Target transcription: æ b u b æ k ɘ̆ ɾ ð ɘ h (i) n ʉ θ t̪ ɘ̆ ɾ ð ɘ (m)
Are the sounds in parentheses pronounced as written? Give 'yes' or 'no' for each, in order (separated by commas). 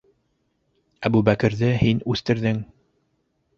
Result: yes, no